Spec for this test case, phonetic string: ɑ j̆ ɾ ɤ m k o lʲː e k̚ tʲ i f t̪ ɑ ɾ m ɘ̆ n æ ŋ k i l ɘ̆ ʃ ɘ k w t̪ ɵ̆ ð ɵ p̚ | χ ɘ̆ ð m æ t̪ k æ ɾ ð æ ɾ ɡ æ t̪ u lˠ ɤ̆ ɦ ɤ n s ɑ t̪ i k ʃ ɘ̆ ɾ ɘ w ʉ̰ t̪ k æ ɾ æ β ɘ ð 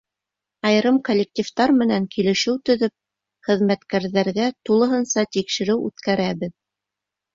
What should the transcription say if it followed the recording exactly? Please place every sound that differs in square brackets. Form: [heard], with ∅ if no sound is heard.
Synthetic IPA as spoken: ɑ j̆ ɾ ɤ m k o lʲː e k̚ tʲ i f t̪ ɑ ɾ m ɘ̆ n æ ŋ k i l ɘ̆ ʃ ɘ [∅] w t̪ ɵ̆ ð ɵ p̚ | χ ɘ̆ ð m æ t̪ k æ ɾ ð æ ɾ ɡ æ t̪ u lˠ ɤ̆ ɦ ɤ n s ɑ t̪ i k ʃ ɘ̆ ɾ ɘ w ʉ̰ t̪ k æ ɾ æ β ɘ ð

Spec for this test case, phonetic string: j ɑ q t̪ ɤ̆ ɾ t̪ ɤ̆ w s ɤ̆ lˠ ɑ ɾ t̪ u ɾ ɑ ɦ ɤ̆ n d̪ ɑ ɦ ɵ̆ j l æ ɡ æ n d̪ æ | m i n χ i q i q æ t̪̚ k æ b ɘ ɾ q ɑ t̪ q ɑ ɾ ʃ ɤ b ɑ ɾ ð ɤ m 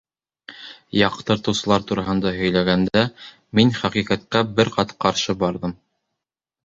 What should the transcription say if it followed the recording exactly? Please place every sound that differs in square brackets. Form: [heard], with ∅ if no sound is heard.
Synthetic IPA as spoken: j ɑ q t̪ ɤ̆ ɾ t̪ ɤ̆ w s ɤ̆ lˠ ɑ ɾ t̪ u ɾ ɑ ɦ ɤ̆ n d̪ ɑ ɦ ɵ̆ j l æ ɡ æ n d̪ æ | m i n χ [æ] q i q æ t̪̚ k æ b ɘ ɾ q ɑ t̪ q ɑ ɾ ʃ ɤ b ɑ ɾ ð ɤ m

